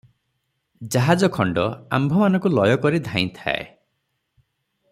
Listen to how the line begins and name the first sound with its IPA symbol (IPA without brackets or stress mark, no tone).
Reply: d͡ʒ